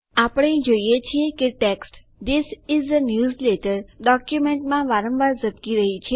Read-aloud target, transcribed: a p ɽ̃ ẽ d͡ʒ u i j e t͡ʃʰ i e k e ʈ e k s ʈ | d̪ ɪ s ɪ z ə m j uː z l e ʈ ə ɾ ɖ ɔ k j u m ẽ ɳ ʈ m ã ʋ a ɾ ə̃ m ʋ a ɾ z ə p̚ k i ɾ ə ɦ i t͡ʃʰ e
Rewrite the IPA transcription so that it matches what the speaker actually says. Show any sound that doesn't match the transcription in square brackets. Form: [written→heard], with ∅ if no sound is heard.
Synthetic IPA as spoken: a p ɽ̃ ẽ d͡ʒ [u→o] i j e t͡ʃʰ i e k e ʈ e k s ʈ | d̪ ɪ s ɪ z ə [m→n] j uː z l e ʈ ə ɾ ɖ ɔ k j u m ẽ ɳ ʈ m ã ʋ a ɾ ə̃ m ʋ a ɾ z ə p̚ k i ɾ ə ɦ i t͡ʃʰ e